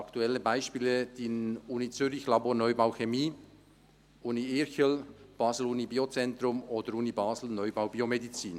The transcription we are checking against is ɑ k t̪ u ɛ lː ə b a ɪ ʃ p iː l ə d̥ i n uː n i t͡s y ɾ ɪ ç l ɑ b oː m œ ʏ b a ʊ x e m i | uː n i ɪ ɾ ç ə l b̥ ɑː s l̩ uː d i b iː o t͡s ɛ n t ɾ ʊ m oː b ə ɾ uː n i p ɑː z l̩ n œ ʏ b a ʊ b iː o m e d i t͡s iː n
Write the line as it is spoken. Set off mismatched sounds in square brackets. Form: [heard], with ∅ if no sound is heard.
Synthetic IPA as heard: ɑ k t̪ u ɛ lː ə b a ɪ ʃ p iː l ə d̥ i n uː n i t͡s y ɾ ɪ ç l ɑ b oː [n] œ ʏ b a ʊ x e m [iː] | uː n i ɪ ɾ ç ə l b̥ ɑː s l̩ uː [n] i b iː o t͡s ɛ n t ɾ ʊ m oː [d] ə ɾ uː n i [b] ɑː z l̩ n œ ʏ b a ʊ b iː o m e d i t͡s iː n